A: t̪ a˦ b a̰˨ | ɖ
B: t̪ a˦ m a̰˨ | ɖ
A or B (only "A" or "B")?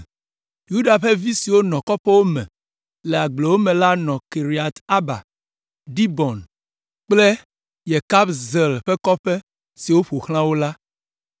A